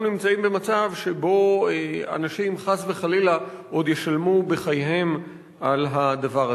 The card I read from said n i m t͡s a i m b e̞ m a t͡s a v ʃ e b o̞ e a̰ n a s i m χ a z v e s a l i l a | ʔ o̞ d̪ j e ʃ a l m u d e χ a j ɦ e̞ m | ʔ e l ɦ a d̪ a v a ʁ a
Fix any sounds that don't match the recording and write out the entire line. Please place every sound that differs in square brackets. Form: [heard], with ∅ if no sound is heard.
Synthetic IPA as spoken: n i m t͡s a i m b e̞ m a t͡s a v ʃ e b o̞ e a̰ n a [ʃ] i m χ a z v e [χ] a l i l a | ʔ o̞ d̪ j e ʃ a l m u [b] e χ a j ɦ e̞ m | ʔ [a] l ɦ a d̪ a v a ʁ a